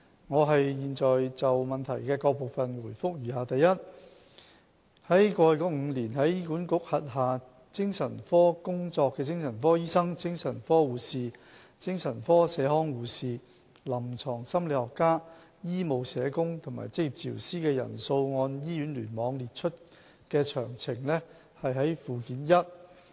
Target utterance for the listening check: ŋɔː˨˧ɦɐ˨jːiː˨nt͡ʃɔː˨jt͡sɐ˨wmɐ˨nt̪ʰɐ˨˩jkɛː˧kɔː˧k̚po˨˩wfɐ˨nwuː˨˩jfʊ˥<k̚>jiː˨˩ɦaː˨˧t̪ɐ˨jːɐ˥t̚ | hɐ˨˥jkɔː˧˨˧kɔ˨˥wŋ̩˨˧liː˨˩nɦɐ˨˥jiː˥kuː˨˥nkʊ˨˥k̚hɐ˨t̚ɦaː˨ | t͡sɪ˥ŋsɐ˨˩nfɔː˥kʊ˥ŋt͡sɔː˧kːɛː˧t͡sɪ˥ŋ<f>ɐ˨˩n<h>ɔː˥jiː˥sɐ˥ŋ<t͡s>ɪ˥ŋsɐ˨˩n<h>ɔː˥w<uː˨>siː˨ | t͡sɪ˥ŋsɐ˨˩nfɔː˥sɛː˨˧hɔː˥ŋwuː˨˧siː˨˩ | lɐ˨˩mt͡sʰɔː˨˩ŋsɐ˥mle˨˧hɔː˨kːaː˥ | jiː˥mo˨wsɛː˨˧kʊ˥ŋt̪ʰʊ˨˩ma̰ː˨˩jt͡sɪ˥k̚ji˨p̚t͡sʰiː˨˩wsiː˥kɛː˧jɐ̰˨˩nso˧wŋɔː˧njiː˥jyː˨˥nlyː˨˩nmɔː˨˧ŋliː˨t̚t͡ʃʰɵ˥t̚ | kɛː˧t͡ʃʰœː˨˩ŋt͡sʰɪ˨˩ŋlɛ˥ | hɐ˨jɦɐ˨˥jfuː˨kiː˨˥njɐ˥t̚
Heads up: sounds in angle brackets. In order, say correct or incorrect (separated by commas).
correct, incorrect, incorrect, correct, incorrect, correct